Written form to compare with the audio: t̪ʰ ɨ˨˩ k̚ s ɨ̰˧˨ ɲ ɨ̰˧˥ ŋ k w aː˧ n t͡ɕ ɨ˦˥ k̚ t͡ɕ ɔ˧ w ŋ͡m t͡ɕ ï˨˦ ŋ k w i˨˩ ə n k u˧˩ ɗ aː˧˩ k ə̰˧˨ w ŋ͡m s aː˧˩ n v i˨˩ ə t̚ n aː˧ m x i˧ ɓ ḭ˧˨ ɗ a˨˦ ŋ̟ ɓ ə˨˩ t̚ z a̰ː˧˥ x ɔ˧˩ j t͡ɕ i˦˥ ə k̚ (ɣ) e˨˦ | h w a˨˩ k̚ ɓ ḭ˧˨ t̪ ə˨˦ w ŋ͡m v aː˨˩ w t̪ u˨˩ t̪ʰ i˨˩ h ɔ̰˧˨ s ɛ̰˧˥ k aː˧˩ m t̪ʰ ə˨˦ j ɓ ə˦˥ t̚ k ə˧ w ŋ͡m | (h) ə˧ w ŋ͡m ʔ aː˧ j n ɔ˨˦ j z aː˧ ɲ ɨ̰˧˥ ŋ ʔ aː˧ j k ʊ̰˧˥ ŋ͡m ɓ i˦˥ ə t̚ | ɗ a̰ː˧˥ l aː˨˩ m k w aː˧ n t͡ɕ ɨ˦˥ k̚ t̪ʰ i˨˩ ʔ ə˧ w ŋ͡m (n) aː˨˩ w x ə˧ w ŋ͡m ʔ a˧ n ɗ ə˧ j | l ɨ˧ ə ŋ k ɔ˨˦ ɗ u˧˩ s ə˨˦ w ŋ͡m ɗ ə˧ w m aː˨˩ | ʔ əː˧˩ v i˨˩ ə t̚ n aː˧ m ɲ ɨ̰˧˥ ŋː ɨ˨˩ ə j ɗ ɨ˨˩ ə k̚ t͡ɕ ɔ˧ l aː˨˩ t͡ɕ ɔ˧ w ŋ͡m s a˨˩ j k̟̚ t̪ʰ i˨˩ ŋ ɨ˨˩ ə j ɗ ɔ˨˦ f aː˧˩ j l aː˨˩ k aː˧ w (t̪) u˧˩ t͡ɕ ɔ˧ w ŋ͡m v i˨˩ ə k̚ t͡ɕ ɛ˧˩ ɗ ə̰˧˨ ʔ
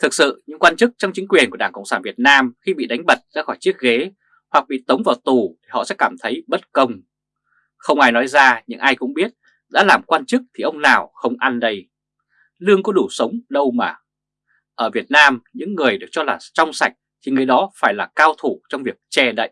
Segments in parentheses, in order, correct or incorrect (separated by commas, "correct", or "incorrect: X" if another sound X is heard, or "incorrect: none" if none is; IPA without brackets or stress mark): correct, incorrect: x, correct, incorrect: t̪ʰ